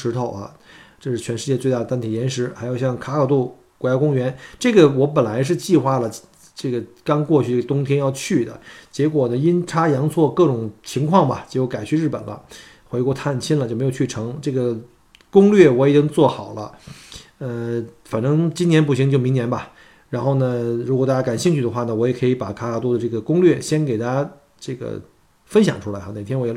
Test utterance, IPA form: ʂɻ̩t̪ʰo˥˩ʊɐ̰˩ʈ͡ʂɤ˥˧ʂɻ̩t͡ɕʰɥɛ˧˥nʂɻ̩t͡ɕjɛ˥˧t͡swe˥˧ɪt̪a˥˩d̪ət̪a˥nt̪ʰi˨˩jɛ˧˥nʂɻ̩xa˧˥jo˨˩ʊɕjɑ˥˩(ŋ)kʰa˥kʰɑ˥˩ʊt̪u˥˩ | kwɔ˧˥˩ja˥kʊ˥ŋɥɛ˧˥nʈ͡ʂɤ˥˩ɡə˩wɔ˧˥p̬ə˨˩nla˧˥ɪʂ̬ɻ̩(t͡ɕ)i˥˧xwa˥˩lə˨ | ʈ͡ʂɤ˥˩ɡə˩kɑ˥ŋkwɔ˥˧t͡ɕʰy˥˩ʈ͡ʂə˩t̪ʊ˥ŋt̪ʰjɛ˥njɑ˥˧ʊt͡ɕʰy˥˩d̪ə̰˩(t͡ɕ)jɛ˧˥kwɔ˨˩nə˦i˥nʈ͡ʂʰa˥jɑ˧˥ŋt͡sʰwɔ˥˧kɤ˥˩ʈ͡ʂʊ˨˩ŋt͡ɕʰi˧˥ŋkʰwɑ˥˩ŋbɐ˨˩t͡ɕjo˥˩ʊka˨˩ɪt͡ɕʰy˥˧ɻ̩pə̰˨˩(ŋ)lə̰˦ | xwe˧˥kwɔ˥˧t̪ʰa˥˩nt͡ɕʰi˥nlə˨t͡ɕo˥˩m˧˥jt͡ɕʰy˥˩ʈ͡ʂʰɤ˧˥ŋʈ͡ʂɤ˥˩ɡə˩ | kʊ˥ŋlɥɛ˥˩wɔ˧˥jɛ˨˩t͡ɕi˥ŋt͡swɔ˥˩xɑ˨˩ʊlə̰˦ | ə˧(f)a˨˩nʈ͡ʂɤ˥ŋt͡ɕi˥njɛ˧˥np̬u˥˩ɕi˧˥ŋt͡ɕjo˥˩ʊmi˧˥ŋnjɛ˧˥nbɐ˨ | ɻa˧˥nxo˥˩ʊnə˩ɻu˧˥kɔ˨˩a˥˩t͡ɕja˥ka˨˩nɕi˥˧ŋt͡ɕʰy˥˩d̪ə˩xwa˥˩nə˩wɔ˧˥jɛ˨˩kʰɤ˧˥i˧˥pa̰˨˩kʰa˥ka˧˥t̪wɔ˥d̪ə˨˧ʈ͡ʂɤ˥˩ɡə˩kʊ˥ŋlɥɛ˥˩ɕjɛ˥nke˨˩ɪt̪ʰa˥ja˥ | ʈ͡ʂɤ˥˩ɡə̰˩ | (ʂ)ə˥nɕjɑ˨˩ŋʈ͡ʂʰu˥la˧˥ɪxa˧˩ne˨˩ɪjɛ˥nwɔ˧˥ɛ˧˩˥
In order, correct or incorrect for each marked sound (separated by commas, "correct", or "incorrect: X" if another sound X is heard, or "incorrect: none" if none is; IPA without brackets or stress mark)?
correct, correct, correct, incorrect: n, correct, incorrect: f